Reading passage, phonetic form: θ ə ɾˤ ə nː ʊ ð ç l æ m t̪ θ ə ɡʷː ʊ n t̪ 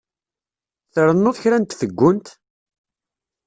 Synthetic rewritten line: θ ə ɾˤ ə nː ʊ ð ç ɾ æ n t̪ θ ə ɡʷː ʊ n t̪